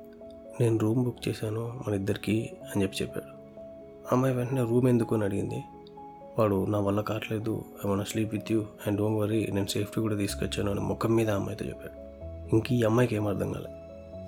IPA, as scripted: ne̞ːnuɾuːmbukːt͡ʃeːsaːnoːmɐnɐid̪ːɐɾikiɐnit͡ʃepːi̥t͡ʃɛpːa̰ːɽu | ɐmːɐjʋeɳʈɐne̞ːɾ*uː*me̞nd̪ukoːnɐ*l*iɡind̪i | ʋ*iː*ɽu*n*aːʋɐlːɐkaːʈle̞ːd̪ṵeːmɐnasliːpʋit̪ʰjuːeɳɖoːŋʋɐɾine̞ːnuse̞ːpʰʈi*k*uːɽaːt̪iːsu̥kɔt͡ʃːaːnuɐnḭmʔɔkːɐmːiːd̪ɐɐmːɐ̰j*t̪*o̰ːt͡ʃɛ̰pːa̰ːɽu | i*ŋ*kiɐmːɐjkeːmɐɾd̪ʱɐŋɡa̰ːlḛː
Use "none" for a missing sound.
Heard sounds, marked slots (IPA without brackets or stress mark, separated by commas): uː, ɽ, aː, n, k, t̪, ŋ